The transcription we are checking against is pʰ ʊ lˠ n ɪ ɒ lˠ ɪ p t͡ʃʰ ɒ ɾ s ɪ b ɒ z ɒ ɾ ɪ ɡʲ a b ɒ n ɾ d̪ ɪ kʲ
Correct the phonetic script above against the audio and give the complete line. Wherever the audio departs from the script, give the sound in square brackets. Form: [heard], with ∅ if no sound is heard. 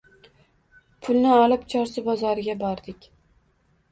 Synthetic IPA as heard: pʰ ʊ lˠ n ɪ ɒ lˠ ɪ p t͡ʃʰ ɒ ɾ s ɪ b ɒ z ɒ ɾ ɪ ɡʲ a b ɒ [∅] ɾ d̪ ɪ kʲ